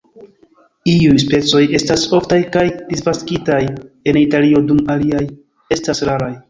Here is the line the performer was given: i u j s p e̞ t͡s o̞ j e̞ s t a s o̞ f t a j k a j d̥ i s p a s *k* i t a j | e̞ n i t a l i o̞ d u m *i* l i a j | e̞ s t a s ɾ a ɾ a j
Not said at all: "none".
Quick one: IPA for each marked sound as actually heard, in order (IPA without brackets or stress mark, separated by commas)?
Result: k, a